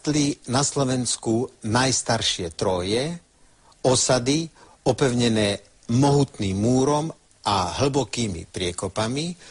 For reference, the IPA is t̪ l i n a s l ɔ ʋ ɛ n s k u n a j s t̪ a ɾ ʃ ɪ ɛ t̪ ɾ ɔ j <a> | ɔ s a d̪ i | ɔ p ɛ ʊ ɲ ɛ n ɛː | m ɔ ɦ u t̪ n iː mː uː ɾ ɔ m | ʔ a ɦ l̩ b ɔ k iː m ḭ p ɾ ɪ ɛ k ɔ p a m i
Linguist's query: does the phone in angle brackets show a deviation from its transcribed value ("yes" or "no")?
yes